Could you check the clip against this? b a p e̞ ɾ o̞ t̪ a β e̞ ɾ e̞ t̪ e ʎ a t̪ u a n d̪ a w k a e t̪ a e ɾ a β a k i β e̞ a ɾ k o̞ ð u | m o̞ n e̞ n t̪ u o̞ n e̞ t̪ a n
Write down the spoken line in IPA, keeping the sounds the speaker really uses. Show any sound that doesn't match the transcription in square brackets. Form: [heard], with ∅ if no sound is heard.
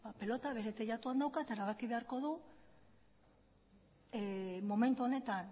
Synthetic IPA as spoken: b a p e̞ [l] o̞ t̪ a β e̞ ɾ e̞ t̪ e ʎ a t̪ u a n d̪ a w k a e t̪ a e ɾ a β a k i β e̞ a ɾ k o̞ ð u | m o̞ [m] e̞ n t̪ u o̞ n e̞ t̪ a n

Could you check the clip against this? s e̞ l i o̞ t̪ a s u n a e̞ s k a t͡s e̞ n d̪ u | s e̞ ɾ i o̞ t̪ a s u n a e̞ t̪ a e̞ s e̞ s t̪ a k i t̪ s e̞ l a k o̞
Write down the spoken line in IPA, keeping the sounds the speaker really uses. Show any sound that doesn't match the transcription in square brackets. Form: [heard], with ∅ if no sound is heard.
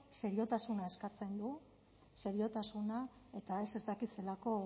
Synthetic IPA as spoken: s e̞ [ɾ] i o̞ t̪ a s u n a e̞ s k a t͡s e̞ n d̪ u | s e̞ ɾ i o̞ t̪ a s u n a e̞ t̪ a e̞ s e̞ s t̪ a k i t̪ s e̞ l a k o̞

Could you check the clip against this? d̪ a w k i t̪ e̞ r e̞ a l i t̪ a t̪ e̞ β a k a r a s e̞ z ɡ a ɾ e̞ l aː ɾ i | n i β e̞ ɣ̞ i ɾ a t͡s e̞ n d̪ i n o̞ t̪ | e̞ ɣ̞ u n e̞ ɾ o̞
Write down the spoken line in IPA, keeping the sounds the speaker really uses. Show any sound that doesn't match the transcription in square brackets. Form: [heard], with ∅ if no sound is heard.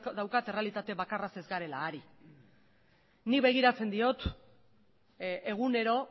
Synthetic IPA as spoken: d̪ a w k [a] t̪ e̞ r e̞ a l i t̪ a t̪ e̞ β a k a r a s e̞ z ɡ a ɾ e̞ l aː ɾ i | n i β e̞ ɣ̞ i ɾ a t͡s e̞ n d̪ i [∅] o̞ t̪ | e̞ ɣ̞ u n e̞ ɾ o̞

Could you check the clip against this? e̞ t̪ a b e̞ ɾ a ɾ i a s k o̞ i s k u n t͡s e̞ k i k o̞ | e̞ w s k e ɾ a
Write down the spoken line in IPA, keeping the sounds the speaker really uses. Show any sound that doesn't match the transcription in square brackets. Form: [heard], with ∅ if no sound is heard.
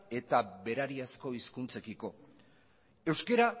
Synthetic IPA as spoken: e̞ t̪ a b e̞ ɾ a ɾ i a s k o̞ i s k u n t͡s e̞ k i k o̞ | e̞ w s k e ɾ a

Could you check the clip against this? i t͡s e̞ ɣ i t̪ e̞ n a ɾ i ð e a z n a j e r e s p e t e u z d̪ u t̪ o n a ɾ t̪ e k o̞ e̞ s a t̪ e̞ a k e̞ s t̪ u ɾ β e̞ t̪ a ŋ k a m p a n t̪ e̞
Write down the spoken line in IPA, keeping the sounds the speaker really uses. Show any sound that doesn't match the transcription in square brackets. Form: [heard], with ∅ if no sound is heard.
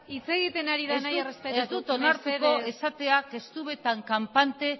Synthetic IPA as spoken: i t͡s e̞ ɣ i t̪ e̞ n a ɾ i ð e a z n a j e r e s p e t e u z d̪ u t̪ o n a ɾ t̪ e k o̞ e̞ s a t̪ e̞ a k e̞ s t̪ u [∅] β e̞ t̪ a ŋ k a m p a n t̪ e̞

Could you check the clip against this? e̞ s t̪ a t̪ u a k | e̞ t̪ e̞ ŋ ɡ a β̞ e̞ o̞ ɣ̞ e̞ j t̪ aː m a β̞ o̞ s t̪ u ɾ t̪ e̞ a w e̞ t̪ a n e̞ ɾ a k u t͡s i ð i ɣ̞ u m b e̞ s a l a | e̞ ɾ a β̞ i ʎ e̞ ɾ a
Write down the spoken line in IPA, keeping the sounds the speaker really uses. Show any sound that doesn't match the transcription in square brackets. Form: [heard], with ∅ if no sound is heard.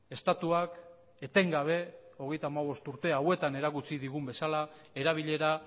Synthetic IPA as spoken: e̞ s t̪ a t̪ u a k | e̞ t̪ e̞ ŋ ɡ a β̞ e̞ o̞ ɣ̞ e̞ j t̪ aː m a β̞ o̞ s t̪ u ɾ t̪ e̞ a w e̞ t̪ a n e̞ ɾ a k u t͡s i ð i ɣ̞ u m b e̞ s a l a | e̞ ɾ a β̞ i ʎ e̞ ɾ a

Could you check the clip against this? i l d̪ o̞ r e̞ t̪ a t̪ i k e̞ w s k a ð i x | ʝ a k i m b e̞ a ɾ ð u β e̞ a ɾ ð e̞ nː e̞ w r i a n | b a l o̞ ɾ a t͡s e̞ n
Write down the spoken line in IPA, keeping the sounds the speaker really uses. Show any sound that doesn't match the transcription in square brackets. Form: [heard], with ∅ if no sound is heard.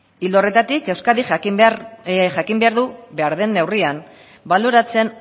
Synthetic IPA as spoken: i l d̪ o̞ r e̞ t̪ a t̪ i k e̞ w s k a ð i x | ʝ a k i m b e̞ a ɾ ð u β e̞ a ɾ ð e̞ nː e̞ w r i a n | b a l o̞ ɾ a t͡s e̞ n

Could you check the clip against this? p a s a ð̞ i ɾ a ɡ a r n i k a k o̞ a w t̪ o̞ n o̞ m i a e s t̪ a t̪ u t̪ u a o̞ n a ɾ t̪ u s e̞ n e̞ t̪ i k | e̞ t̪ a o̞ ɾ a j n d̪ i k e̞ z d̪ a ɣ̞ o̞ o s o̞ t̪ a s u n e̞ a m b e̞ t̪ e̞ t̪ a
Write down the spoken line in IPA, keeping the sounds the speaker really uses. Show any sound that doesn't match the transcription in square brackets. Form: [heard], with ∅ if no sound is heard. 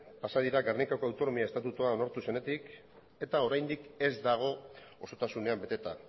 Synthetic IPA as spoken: p a s a ð̞ i ɾ a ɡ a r n i k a k o̞ a w t̪ o̞ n o̞ m i a e s t̪ a t̪ u t̪ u a o̞ n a ɾ t̪ u s e̞ n e̞ t̪ i k | e̞ t̪ a o̞ ɾ a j n d̪ i k e̞ z d̪ a ɣ̞ o̞ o s o̞ t̪ a s u n e̞ a m b e̞ t̪ e̞ t̪ a

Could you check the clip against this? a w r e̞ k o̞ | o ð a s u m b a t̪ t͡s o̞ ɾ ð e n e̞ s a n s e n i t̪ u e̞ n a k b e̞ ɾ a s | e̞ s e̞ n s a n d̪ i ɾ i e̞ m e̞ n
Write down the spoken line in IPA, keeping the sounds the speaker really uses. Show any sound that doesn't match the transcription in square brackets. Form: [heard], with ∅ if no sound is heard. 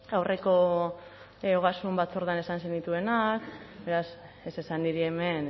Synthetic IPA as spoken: a w r e̞ k o̞ | o [ɣ] a s u m b a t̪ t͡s o̞ ɾ ð [a] n e̞ s a n s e n i t̪ u e̞ n a k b e̞ ɾ a s | e̞ s e̞ [∅] s a n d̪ i ɾ i e̞ m e̞ n

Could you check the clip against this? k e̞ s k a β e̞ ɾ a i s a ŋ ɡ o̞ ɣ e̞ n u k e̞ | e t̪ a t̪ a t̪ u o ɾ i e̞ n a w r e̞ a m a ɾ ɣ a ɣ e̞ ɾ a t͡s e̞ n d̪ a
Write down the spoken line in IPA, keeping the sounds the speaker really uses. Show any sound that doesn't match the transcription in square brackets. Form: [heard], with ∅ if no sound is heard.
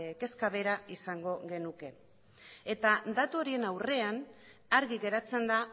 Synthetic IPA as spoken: k e̞ s k a β e̞ ɾ a i s a ŋ ɡ o̞ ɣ e̞ n u k e̞ | e t̪ a [d̪] a t̪ u o ɾ i e̞ n a w r e̞ a [n] a ɾ ɣ [i] ɣ e̞ ɾ a t͡s e̞ n d̪ a

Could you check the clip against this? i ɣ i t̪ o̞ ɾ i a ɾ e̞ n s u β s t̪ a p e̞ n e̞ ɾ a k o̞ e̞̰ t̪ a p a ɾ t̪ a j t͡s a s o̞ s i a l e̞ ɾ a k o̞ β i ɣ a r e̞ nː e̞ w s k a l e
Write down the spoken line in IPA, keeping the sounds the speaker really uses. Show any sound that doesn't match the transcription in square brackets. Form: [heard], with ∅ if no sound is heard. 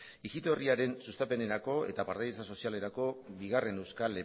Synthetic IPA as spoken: i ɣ i t̪ o̞ [r] i a ɾ e̞ n s u [∅] s t̪ a p e̞ n e̞ ɾ a k o̞ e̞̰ t̪ a p a ɾ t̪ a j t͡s a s o̞ s i a l e̞ ɾ a k o̞ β i ɣ a r e̞ [n] e̞ w s k a l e

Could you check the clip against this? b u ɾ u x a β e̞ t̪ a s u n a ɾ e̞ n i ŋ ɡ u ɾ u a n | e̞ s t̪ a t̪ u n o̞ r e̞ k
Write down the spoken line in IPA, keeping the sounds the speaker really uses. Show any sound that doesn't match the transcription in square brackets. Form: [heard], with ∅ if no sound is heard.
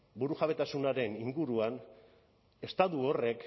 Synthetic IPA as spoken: b u ɾ u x a β e̞ t̪ a s u n a ɾ e̞ n i ŋ ɡ u ɾ u a n | e̞ s t̪ a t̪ u [∅] o̞ r e̞ k

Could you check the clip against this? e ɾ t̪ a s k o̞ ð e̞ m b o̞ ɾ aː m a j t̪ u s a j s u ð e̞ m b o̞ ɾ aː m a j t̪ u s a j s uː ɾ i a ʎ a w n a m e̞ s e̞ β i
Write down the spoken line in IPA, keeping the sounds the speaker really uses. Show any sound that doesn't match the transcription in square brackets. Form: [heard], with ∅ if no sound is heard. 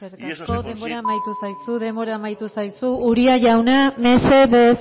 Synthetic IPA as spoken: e ɾ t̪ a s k o̞ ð e̞ m b o̞ ɾ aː m a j t̪ u s a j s u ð e̞ m b o̞ ɾ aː m a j t̪ u s a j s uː ɾ i a [ʝ] a w n a m e̞ s e̞ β [e]

